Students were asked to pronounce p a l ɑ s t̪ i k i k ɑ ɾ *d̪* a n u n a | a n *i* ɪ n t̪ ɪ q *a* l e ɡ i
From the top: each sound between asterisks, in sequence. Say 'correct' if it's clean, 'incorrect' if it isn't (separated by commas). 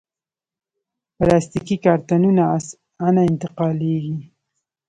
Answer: incorrect, incorrect, incorrect